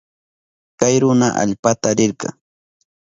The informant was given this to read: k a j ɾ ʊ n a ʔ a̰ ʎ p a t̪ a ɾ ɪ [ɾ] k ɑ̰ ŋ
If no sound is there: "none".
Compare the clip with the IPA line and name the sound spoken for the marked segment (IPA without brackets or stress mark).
ɾ